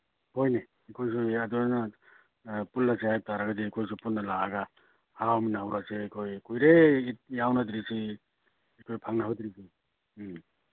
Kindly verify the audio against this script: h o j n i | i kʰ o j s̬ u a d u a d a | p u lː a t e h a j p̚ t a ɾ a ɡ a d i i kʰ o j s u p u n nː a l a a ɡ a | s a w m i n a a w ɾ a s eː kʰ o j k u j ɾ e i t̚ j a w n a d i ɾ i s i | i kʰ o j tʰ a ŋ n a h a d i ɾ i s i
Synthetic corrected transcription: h o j n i | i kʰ o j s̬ u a d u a n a | p u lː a s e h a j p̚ t a ɾ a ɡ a d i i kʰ o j s u p u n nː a l a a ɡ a | h a w m i n a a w ɾ a s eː kʰ o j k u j ɾ e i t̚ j a w n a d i ɾ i s i | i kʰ o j pʰ a ŋ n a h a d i ɾ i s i